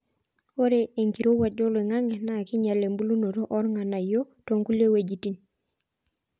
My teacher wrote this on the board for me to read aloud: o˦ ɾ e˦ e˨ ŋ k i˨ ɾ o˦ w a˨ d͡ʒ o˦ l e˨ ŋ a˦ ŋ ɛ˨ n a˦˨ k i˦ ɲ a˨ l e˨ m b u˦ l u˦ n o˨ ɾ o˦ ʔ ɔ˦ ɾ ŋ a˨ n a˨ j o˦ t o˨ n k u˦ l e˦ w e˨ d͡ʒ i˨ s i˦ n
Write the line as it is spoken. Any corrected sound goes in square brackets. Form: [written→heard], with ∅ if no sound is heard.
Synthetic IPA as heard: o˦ ɾ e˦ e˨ ŋ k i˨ ɾ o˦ w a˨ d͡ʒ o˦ l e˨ ŋ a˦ ŋ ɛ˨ n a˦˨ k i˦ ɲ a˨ l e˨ m b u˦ l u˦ n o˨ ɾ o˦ ʔ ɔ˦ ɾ ŋ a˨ n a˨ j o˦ t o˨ [n→ŋ] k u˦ l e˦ w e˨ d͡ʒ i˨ [s→t] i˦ n